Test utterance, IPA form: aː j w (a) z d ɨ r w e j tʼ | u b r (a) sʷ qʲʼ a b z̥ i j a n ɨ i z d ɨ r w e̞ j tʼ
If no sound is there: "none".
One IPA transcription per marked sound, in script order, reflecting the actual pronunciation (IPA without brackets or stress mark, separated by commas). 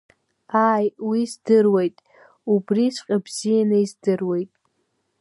i, i